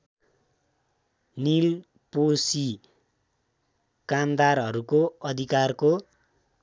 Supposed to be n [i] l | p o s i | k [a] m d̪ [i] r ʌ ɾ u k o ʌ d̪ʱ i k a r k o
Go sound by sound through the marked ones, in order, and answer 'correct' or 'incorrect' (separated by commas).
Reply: correct, correct, incorrect